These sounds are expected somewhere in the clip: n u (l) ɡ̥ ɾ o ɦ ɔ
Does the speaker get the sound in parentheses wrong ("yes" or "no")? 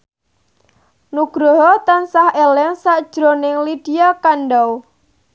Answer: yes